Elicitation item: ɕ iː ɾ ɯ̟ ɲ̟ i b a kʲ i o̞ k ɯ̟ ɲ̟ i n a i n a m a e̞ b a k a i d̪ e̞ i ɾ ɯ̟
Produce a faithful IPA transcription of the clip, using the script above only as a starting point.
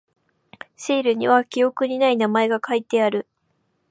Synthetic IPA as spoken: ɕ iː ɾ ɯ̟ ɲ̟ i β a kʲ i o̞ k ɯ̟ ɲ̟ i n a i n a m a e̞ ɡ a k a i t̪ e̞ a ɾ ɯ̟